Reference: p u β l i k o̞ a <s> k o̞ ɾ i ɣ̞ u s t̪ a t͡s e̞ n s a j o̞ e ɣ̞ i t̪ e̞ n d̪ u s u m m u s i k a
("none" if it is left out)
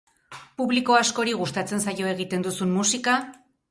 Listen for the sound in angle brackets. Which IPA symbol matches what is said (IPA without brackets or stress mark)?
s